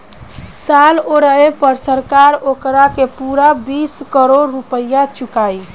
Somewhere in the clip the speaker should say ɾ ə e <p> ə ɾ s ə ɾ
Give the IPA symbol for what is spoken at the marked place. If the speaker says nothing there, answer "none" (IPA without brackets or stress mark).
p